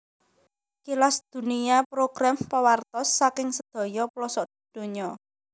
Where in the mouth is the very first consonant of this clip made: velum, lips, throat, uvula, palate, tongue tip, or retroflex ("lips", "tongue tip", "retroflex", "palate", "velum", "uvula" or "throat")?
velum